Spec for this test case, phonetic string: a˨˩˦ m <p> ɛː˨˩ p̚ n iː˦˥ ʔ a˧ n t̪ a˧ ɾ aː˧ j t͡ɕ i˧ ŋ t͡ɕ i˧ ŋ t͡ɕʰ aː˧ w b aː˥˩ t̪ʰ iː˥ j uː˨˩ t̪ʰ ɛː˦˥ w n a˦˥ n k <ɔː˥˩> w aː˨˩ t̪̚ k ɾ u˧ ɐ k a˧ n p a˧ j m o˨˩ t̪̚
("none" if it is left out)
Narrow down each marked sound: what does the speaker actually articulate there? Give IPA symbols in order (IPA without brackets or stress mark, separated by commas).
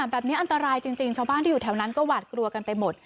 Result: b, ɔː˥˩